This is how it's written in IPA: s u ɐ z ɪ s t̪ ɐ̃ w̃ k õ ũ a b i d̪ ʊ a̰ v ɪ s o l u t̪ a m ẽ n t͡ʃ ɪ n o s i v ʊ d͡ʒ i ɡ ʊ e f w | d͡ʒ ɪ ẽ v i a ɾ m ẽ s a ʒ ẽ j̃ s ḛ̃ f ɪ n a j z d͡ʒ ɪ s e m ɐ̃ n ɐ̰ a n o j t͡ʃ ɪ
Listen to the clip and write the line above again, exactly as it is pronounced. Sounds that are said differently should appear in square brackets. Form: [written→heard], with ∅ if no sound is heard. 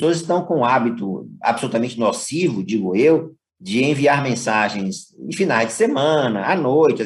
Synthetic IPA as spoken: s [u→o] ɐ z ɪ s t̪ ɐ̃ w̃ k õ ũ a b i [d̪→t̪] ʊ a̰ [v→b] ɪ s o l u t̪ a m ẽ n t͡ʃ ɪ n o s i v ʊ d͡ʒ i ɡ ʊ e [f→∅] w | d͡ʒ ɪ ẽ v i a ɾ m ẽ s a ʒ ẽ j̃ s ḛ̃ f [ɪ→i] n a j z d͡ʒ ɪ s e m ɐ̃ n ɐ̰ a n o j t͡ʃ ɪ